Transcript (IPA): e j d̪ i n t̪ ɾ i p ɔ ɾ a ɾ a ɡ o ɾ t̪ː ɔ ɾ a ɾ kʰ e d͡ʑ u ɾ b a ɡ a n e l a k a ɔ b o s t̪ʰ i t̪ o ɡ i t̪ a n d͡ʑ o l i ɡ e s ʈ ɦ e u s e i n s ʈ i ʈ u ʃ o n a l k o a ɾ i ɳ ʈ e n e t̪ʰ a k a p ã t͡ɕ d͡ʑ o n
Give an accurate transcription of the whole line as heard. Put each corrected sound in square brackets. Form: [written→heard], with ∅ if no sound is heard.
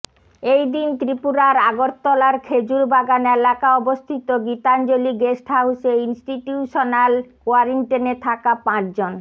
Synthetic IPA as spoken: e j d̪ i n t̪ ɾ i p [ɔ→u] ɾ a ɾ a ɡ o ɾ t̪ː ɔ [ɾ→l] a ɾ kʰ e d͡ʑ u ɾ b a ɡ a n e l a k a ɔ b o s t̪ʰ i t̪ o ɡ i t̪ a n d͡ʑ o l i ɡ e s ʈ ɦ [e→a] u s e i n s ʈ i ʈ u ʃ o n a l k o a ɾ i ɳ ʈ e n e t̪ʰ a k a p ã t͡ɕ d͡ʑ o n